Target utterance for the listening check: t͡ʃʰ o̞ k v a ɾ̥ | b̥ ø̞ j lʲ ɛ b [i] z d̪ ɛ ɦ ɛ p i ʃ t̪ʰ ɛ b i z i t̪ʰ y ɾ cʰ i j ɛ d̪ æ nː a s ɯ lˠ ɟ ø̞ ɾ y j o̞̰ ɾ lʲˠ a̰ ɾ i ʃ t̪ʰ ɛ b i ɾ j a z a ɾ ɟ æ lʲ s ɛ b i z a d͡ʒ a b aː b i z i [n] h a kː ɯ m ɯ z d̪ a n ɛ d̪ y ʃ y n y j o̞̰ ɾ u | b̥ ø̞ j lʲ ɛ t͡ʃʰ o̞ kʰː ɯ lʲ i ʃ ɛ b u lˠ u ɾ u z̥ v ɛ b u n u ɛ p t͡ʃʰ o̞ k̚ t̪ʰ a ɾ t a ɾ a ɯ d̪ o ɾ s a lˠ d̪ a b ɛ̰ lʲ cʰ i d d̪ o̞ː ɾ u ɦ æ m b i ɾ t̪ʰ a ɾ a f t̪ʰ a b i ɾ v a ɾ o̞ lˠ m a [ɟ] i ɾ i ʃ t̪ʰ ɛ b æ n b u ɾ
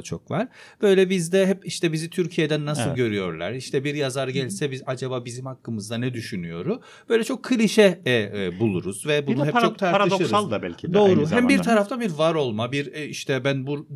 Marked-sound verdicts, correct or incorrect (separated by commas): correct, incorrect, incorrect